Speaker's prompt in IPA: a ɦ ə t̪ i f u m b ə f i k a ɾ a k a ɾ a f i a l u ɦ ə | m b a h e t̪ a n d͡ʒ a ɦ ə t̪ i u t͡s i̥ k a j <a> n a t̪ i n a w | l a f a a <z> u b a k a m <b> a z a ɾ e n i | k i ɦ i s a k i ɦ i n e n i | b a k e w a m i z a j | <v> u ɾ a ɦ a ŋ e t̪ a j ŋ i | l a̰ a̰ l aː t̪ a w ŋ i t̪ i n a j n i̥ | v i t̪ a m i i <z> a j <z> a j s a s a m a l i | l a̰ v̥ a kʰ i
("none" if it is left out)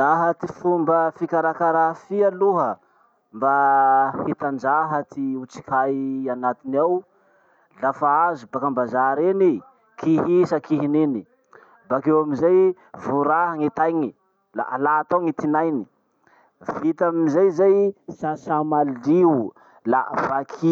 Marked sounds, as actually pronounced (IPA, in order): a, z, b, v, z, z

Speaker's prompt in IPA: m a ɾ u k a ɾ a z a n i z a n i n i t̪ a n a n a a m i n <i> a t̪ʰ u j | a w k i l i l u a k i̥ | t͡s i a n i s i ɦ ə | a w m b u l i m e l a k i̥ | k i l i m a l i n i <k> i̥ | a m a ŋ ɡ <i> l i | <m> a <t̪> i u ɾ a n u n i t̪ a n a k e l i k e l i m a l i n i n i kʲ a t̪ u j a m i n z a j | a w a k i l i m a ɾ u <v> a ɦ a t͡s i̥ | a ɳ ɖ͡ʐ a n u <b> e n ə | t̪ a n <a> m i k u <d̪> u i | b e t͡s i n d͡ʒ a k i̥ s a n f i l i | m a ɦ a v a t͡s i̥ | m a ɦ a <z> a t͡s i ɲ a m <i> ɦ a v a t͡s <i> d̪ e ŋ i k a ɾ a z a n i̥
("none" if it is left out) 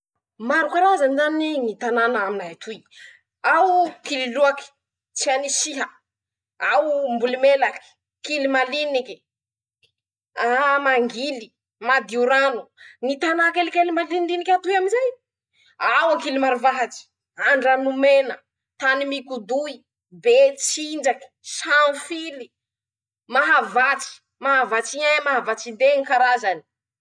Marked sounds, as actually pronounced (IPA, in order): a, k, i, m, d̪, v, m, i, d̪, v, a, i

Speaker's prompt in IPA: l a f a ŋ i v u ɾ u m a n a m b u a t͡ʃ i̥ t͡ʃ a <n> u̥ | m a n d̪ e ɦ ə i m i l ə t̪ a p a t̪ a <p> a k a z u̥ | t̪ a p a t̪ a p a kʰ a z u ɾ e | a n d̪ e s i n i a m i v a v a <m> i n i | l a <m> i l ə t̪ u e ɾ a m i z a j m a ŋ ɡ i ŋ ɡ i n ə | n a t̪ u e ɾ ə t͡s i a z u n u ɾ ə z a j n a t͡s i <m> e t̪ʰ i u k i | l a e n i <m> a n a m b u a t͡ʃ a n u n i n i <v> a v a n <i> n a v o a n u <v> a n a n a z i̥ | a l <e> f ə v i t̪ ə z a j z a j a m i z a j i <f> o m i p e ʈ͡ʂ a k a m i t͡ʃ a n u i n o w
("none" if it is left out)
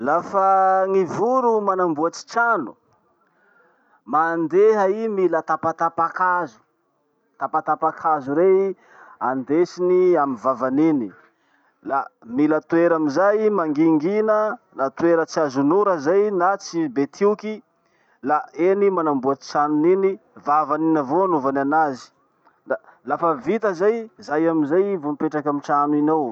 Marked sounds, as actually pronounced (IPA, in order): n, p, n, m, b, m, v, i, v, a, v

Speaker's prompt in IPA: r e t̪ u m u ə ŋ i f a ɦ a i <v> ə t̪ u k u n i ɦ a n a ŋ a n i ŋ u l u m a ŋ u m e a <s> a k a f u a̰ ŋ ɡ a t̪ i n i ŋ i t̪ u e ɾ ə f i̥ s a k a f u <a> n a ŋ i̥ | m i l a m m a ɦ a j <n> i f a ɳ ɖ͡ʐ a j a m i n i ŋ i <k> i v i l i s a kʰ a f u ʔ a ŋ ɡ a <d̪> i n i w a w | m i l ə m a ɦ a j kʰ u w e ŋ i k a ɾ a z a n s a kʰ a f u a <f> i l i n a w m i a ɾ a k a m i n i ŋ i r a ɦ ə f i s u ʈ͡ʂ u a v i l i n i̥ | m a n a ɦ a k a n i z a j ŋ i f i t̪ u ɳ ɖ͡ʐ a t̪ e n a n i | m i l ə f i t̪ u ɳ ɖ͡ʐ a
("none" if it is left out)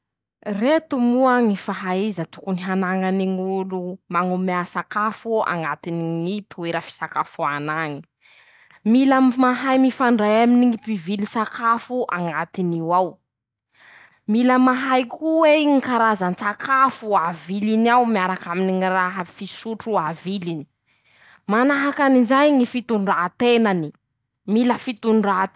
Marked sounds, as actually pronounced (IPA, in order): z, s, a, m, p, t̪, v

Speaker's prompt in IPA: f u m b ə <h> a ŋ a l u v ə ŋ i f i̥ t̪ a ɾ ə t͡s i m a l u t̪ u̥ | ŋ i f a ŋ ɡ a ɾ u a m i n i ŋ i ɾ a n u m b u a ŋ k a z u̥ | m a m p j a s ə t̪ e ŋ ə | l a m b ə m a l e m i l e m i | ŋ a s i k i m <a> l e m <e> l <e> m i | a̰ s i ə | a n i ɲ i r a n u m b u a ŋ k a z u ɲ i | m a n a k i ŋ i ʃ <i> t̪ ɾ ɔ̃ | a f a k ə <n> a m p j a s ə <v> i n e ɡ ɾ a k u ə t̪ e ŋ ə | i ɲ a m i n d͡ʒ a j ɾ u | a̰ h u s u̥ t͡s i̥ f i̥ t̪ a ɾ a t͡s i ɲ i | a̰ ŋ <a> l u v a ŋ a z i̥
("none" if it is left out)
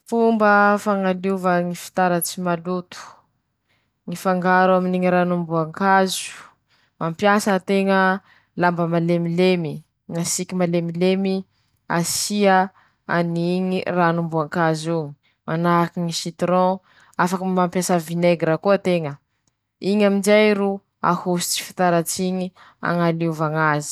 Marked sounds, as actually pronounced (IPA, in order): f, a, i, e, i, m, v, a

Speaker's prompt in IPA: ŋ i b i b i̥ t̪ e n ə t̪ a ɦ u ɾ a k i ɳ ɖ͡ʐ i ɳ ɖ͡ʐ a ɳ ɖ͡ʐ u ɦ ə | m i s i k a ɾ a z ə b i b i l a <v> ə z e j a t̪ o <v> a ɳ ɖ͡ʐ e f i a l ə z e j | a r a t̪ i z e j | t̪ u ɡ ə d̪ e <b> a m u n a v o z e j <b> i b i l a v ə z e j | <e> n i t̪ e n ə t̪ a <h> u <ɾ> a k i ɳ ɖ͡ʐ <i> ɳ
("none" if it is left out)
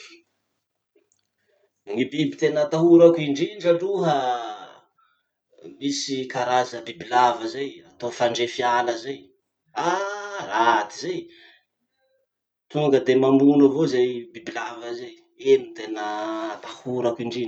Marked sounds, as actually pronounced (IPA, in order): v, f, m, b, e, h, ɾ, i

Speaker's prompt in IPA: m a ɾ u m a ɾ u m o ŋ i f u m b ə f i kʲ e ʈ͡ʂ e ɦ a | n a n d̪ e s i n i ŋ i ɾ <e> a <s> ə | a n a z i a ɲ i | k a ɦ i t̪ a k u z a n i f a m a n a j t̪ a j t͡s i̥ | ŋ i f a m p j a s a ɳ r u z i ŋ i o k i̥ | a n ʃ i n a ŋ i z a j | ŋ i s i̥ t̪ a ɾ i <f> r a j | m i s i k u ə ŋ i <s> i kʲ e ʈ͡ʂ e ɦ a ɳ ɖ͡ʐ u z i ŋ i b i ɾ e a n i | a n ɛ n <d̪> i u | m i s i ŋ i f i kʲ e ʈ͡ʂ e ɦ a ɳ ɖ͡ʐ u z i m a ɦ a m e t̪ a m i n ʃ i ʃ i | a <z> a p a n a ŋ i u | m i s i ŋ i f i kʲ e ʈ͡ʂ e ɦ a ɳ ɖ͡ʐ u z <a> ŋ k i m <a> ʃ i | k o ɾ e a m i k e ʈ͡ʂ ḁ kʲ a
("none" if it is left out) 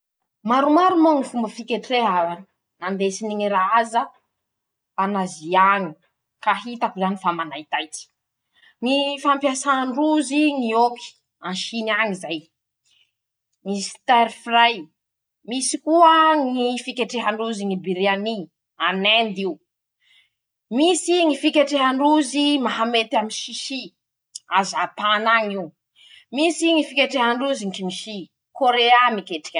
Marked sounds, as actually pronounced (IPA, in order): a, z, f, f, d̪, z, i, i

